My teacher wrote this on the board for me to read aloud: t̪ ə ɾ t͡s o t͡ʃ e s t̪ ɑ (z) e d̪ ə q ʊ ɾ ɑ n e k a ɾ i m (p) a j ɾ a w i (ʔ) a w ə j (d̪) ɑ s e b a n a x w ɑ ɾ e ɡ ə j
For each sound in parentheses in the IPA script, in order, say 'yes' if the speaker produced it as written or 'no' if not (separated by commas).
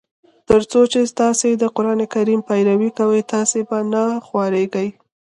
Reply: no, yes, no, no